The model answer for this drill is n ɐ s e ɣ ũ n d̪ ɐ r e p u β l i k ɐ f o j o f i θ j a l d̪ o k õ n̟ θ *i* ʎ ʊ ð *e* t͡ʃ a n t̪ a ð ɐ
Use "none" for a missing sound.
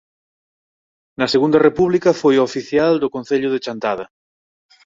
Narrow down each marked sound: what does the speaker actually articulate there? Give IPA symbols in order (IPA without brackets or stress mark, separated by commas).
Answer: e, e